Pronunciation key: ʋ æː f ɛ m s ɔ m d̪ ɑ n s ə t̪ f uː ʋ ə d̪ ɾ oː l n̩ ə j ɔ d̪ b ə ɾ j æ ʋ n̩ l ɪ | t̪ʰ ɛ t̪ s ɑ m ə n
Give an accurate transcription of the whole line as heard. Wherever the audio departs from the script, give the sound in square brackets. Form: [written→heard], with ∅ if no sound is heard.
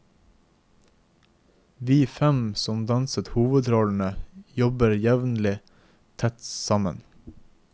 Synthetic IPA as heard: ʋ [æː→iː] f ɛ m s ɔ m d̪ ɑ n s ə t̪ [f→h] uː ʋ ə d̪ ɾ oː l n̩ ə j ɔ [d̪→∅] b ə ɾ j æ ʋ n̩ l ɪ | t̪ʰ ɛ t̪ s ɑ m ə n